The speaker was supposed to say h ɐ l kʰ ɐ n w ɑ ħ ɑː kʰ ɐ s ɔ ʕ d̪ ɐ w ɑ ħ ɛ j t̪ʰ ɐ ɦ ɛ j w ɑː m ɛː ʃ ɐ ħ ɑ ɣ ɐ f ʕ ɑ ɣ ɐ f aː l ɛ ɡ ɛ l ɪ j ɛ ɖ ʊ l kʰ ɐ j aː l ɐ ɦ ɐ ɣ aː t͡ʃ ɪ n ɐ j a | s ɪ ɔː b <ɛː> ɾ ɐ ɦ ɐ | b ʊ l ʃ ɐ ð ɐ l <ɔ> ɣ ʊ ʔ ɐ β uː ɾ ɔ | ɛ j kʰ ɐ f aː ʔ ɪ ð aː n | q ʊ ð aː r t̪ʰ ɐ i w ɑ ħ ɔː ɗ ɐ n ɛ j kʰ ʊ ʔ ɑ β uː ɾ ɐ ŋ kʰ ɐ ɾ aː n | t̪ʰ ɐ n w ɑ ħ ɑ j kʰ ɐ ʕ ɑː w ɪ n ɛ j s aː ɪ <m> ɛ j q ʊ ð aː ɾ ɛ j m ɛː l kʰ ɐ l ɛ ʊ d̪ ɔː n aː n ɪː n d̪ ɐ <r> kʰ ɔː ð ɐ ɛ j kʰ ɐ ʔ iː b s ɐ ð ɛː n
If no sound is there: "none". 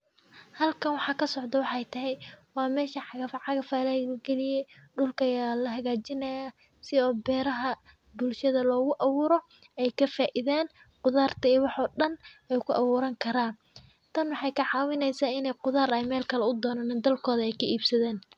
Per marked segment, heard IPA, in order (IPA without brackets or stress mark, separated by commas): ɛː, ɔː, n, l